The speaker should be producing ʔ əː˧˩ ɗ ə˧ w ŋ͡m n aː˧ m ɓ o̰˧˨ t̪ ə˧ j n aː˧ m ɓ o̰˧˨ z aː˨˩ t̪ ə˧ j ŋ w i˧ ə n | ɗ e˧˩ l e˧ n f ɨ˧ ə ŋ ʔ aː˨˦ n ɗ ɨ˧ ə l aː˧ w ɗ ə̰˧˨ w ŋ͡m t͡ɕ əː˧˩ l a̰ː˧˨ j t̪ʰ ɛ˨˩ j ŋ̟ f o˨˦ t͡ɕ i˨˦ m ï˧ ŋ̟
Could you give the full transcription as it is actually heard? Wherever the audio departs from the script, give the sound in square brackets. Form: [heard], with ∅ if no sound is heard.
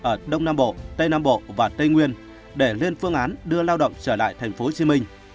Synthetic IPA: ʔ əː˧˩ ɗ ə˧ w ŋ͡m n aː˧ m ɓ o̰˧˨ t̪ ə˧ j n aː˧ m ɓ o̰˧˨ [v] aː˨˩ t̪ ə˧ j ŋ w i˧ ə n | ɗ e˧˩ l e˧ n f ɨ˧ ə ŋ ʔ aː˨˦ n ɗ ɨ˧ ə l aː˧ w ɗ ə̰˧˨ w ŋ͡m t͡ɕ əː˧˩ l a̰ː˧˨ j t̪ʰ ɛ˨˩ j ŋ̟ f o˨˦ t͡ɕ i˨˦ m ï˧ ŋ̟